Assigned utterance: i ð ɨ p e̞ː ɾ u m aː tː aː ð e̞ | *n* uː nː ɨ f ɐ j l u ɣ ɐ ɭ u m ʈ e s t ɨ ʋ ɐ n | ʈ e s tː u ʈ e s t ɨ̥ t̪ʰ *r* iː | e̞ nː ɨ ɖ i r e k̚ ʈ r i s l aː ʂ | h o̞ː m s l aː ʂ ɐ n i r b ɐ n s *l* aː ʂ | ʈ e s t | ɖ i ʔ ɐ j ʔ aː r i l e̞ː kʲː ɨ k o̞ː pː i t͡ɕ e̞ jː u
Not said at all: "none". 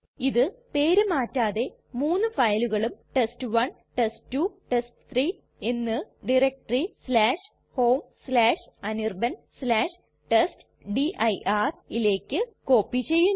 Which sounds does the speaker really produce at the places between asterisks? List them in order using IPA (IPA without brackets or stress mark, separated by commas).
m, r, l